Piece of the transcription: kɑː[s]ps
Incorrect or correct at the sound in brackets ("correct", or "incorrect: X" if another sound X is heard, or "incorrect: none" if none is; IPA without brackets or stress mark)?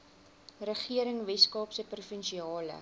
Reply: incorrect: none